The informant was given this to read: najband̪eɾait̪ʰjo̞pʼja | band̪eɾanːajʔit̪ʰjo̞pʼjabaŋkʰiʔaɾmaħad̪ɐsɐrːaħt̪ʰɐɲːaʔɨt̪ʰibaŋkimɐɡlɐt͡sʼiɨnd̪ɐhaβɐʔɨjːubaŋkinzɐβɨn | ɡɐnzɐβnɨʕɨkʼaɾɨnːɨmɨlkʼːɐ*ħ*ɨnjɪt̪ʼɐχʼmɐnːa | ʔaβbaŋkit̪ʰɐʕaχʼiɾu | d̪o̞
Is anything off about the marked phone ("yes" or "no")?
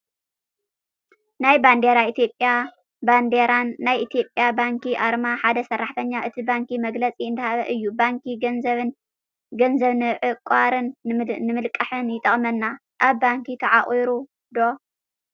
no